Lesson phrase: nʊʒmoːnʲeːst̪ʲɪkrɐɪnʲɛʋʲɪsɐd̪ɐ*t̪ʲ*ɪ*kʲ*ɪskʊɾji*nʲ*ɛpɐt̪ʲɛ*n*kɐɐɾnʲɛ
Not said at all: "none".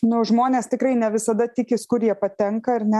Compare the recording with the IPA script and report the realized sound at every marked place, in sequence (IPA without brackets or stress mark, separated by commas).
t̪ʲ, kʲ, none, ŋ